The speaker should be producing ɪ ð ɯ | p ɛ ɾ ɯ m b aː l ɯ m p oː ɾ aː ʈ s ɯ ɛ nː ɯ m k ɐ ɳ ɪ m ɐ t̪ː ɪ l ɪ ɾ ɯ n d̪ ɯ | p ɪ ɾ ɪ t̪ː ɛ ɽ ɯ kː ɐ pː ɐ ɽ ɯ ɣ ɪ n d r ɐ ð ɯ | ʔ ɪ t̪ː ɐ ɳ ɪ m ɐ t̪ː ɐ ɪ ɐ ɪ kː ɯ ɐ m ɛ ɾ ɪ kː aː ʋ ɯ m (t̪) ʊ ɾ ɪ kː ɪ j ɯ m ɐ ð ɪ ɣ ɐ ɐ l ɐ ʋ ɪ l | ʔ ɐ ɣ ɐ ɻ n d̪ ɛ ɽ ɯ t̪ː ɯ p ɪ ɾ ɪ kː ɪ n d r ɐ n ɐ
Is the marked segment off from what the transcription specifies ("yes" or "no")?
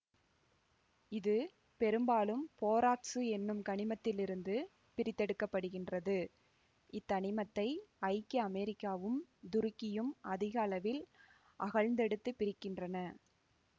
yes